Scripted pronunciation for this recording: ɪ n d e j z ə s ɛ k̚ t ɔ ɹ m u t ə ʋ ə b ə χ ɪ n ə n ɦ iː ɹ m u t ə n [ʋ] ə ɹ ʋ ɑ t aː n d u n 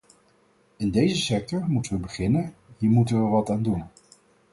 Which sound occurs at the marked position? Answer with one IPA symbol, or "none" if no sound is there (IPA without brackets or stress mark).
ʋ